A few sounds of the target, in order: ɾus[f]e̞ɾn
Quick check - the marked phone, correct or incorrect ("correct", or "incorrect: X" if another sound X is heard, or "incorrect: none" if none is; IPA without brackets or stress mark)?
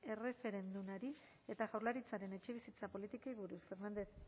correct